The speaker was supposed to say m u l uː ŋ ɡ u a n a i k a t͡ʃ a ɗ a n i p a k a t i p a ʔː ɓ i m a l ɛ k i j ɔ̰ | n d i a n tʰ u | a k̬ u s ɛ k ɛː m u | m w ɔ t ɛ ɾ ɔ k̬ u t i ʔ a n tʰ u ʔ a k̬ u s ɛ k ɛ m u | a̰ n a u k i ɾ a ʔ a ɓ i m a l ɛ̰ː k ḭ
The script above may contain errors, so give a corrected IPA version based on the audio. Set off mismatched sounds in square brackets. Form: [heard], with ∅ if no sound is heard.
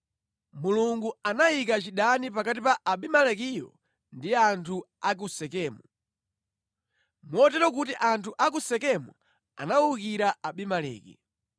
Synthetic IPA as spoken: m u l [u] ŋ ɡ u a n a i k a t͡ʃ [i] ɗ a n i p a k a t i p a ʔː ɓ i m a l ɛ k i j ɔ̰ | n d i a n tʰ u | a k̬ u s ɛ k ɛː m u | m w ɔ t ɛ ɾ ɔ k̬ u t i ʔ a n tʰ u ʔ a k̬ u s ɛ k ɛ m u | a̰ n a u k i ɾ a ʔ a ɓ i m a l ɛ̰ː k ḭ